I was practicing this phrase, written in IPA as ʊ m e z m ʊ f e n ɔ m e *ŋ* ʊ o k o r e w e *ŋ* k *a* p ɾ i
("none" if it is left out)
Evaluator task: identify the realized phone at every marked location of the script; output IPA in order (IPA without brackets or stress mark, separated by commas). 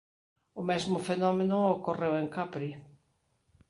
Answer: n, ŋ, a